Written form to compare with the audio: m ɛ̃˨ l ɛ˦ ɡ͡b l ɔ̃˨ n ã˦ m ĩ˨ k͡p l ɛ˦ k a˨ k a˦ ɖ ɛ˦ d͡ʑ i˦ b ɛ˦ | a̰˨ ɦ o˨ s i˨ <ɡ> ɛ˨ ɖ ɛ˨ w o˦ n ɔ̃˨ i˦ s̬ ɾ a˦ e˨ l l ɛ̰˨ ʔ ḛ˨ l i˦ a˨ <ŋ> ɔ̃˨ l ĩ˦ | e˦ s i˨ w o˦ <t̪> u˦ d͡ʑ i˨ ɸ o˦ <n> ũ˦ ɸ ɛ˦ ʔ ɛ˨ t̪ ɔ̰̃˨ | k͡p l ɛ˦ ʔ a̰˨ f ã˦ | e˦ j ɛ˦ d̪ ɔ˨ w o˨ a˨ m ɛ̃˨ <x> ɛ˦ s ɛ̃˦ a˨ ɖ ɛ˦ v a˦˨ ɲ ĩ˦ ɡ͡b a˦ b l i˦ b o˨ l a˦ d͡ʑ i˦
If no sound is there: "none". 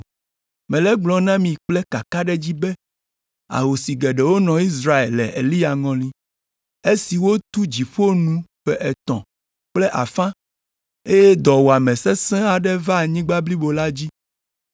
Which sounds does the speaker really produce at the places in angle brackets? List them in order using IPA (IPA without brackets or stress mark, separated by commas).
ɡ, ŋ, t̪, n, s